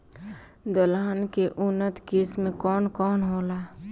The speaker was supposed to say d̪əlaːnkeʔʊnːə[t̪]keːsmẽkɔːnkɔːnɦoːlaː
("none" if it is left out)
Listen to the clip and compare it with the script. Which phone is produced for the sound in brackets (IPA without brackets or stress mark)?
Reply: t̪